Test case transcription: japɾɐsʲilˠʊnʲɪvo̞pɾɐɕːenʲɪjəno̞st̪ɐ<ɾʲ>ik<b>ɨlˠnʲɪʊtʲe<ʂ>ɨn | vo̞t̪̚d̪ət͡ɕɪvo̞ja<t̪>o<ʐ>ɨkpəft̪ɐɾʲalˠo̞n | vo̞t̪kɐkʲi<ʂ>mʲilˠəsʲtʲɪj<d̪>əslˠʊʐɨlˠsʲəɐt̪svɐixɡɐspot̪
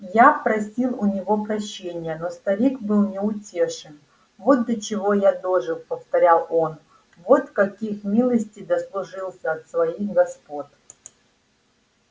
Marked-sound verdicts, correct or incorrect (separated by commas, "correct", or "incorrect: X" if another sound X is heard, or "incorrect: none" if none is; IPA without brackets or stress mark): correct, correct, correct, incorrect: d̪, correct, incorrect: x, correct